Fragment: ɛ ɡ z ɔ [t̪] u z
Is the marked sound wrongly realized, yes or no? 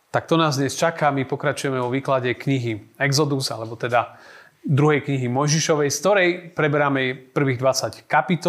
yes